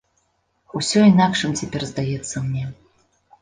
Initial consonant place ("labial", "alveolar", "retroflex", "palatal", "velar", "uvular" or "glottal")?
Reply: alveolar